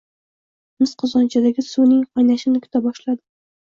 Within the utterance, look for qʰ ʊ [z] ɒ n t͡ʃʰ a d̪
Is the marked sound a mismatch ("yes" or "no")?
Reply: no